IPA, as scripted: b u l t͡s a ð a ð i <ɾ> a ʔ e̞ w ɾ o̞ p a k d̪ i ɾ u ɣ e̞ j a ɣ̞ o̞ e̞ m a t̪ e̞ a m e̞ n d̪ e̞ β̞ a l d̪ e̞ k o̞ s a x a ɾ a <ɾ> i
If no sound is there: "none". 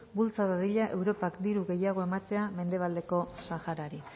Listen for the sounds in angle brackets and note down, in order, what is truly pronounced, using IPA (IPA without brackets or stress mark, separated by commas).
ʎ, ɾ